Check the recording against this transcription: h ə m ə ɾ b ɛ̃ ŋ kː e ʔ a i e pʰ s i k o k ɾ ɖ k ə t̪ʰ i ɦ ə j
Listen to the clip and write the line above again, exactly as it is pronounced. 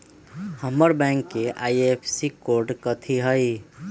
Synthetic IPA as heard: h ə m ə ɾ b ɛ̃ ŋ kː e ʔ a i e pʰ s i k o ɾ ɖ k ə t̪ʰ i ɦ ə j